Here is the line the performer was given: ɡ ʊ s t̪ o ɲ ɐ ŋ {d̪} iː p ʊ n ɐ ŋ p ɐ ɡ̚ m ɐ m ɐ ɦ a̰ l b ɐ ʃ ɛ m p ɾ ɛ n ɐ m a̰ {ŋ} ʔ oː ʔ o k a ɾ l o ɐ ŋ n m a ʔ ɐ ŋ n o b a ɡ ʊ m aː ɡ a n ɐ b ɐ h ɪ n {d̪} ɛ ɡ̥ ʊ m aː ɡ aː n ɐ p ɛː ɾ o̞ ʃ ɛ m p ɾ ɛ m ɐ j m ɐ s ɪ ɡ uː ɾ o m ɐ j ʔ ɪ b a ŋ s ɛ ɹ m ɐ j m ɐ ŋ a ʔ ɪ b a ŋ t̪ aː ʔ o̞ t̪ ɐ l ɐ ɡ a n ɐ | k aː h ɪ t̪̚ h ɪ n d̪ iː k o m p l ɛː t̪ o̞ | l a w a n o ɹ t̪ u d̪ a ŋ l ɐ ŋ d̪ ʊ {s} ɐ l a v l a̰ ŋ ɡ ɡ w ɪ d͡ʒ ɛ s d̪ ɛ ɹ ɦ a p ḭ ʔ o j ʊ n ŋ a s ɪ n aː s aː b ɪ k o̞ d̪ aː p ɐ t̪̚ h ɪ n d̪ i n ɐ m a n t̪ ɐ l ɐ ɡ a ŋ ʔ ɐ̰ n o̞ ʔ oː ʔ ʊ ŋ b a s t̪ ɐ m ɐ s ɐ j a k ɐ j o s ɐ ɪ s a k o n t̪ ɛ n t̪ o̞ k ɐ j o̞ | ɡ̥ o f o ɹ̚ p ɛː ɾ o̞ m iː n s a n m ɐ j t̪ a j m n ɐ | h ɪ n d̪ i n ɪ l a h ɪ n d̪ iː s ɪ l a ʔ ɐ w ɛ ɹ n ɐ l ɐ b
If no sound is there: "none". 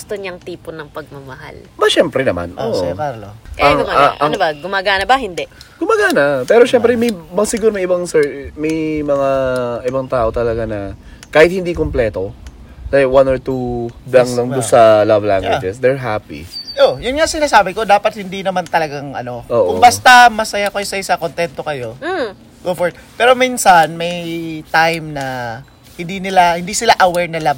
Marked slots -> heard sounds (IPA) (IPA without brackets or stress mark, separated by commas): t̪, n, d̪, s